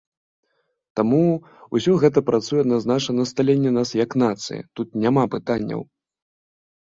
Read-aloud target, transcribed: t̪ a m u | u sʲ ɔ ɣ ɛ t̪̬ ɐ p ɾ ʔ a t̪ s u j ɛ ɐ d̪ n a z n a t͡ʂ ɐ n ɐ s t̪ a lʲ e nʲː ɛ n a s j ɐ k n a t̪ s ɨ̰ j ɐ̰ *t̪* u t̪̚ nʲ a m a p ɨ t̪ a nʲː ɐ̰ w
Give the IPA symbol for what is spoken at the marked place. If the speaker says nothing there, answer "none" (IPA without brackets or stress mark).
t̪